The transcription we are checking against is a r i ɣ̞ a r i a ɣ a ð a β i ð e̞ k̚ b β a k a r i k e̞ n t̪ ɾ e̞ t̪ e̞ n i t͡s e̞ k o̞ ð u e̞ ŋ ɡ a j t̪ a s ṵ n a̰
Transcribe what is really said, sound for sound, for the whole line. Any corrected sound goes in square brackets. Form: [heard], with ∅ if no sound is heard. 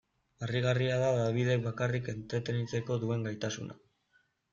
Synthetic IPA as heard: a r i ɣ̞ a r i a [ð] a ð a β i ð e̞ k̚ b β a k a r i k e̞ n t̪ ɾ e̞ t̪ e̞ n i t͡s e̞ k o̞ ð u e̞ ŋ ɡ a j t̪ a s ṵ n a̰

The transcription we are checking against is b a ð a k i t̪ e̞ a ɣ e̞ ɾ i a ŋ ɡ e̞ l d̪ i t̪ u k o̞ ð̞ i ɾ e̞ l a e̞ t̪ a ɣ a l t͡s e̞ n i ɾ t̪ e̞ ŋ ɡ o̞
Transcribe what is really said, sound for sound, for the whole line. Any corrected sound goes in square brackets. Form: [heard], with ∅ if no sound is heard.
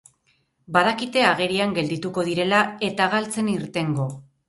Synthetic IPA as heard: b a ð a k i t̪ e̞ a ɣ e̞ ɾ i a ŋ ɡ e̞ l d̪ i t̪ u k o̞ ð̞ i ɾ e̞ l a e̞ t̪ a ɣ a l t͡s e̞ n i ɾ t̪ e̞ ŋ ɡ o̞

